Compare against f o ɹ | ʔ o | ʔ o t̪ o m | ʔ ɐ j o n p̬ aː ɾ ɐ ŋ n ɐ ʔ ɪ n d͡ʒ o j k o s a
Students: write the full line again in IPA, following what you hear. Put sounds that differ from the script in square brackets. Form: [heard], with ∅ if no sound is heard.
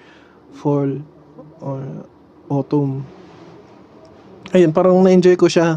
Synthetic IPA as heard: f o [l] | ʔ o | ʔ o t̪ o m | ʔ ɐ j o n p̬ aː ɾ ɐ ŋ n ɐ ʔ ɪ n d͡ʒ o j k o [ʃ] a